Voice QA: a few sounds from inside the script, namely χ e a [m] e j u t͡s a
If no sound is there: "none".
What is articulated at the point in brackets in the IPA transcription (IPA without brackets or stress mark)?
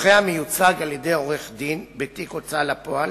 m